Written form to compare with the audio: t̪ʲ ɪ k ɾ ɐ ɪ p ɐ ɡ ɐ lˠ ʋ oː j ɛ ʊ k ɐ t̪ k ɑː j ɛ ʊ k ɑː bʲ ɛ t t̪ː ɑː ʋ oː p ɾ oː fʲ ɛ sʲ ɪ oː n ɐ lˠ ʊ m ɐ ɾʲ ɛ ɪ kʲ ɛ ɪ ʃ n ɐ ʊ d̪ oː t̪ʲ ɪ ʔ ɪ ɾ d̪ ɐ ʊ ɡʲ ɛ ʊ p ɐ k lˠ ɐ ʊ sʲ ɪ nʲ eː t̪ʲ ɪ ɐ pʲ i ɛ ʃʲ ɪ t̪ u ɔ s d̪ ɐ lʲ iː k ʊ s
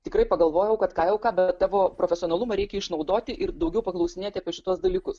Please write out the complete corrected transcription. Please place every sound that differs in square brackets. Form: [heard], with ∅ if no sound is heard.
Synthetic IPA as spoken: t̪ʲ ɪ k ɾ ɐ ɪ p ɐ ɡ ɐ lˠ ʋ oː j ɛ ʊ k ɐ t̪ k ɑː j ɛ ʊ k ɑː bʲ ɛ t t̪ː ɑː ʋ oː p ɾ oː fʲ ɛ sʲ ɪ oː n ɐ lˠ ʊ m ɐ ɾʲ ɛ ɪ kʲ ɛ ɪ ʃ n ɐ ʊ d̪ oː t̪ʲ ɪ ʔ ɪ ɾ d̪ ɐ ʊ ɡʲ ɛ ʊ p ɐ k lˠ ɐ ʊ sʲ ɪ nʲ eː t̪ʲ ɪ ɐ pʲ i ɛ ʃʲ ɪ t̪ u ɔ s d̪ ɐ lʲ iː k ʊ s